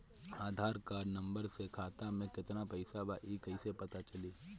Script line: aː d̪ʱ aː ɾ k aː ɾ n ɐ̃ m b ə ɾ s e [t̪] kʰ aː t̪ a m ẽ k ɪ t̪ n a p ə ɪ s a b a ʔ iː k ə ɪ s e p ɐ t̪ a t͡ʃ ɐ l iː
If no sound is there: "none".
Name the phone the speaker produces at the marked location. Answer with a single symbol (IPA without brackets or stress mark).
none